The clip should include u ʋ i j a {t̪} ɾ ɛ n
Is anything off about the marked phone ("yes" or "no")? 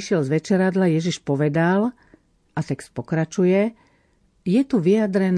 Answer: yes